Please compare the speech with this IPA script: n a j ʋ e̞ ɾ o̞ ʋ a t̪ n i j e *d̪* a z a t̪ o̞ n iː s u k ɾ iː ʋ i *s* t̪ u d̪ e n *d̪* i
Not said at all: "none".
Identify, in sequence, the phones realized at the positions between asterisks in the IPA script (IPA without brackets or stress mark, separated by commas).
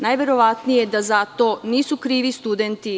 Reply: d̪, s, t̪